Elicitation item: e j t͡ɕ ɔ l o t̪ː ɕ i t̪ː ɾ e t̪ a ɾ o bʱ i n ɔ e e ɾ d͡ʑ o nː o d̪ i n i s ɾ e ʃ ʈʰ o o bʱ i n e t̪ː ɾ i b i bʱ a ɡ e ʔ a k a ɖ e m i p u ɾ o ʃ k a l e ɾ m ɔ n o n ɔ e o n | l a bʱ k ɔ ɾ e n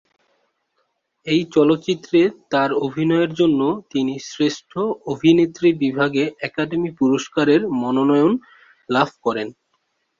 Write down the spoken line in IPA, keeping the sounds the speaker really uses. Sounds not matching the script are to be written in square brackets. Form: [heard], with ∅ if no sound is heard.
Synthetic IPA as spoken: e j t͡ɕ ɔ l o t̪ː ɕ i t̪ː ɾ e t̪ a ɾ o bʱ i n ɔ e e ɾ d͡ʑ o nː o [t̪] i n i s ɾ e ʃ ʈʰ o o bʱ i n e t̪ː ɾ i b i bʱ a ɡ e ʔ [ɛ] k a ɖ e m i p u ɾ o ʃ k a [ɾ] e ɾ m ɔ n o n ɔ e o n | l a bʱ k ɔ ɾ e n